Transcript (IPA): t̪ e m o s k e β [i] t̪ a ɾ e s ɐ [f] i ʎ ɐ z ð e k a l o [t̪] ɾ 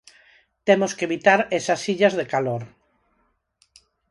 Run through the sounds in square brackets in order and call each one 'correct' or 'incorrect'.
correct, incorrect: s, incorrect: none

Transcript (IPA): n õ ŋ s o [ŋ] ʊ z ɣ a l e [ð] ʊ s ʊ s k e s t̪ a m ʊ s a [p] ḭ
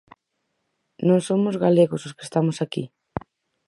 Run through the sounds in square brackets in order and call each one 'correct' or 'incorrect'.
incorrect: m, incorrect: ɣ, incorrect: k

